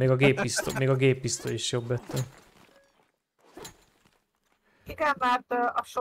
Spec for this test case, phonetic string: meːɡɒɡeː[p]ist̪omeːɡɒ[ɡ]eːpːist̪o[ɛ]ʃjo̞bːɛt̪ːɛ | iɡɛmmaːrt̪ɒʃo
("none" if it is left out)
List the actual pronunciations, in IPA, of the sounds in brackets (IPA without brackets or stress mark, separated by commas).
p, ɡ, i